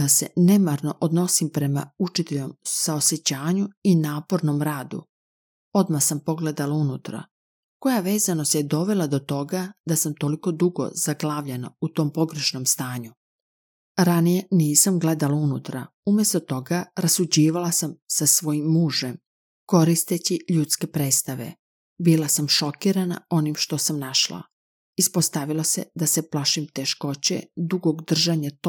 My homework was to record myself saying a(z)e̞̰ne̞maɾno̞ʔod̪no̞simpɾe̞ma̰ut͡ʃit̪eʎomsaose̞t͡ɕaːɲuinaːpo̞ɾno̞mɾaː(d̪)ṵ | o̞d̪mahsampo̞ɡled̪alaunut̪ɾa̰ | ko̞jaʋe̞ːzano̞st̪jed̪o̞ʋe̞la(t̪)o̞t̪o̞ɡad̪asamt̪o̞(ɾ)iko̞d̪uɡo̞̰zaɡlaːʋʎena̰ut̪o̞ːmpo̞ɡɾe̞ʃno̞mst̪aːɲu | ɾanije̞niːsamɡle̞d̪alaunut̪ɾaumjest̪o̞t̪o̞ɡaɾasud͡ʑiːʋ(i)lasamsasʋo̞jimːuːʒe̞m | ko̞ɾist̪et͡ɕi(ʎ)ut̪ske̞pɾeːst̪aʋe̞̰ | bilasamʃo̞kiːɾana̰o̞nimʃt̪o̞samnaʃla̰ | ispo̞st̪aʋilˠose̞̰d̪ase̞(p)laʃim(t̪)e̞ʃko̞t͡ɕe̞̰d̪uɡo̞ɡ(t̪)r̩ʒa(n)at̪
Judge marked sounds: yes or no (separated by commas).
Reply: no, yes, no, no, no, yes, yes, yes, no, no